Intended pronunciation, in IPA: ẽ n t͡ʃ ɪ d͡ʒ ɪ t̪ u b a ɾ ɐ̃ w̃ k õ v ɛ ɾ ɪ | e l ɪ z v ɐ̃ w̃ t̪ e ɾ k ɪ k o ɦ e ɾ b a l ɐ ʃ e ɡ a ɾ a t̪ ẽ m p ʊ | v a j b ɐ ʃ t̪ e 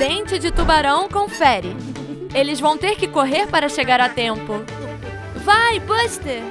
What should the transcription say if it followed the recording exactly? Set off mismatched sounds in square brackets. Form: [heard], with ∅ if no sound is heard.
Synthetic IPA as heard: ẽ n t͡ʃ ɪ d͡ʒ ɪ t̪ u b a ɾ ɐ̃ w̃ k õ [f] ɛ ɾ ɪ | e l ɪ z v ɐ̃ w̃ t̪ e ɾ k ɪ k o ɦ e ɾ [p] a [ɾ] ɐ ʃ e ɡ a ɾ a t̪ ẽ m p ʊ | v a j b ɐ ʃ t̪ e